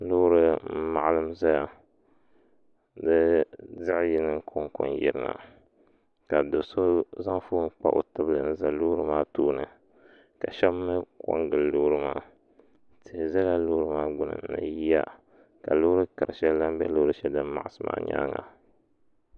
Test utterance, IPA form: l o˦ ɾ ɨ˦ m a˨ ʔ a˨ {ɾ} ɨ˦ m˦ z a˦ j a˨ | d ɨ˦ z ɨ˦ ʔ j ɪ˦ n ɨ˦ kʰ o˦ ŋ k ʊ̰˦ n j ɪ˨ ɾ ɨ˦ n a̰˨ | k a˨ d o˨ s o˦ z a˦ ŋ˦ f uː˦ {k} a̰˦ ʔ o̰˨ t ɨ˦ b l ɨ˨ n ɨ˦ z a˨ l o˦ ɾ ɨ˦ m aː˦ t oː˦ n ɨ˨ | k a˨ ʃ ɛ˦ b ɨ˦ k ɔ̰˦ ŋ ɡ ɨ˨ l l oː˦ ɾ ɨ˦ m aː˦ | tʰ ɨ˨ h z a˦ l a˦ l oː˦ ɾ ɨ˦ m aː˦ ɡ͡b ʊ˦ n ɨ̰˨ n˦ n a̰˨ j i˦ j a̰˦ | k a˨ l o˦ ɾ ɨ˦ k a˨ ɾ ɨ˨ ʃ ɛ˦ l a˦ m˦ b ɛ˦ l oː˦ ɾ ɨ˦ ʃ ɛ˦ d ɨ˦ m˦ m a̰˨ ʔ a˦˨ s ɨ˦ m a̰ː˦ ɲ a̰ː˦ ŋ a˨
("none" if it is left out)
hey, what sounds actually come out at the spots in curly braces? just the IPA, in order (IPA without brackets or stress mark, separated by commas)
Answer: l, k͡p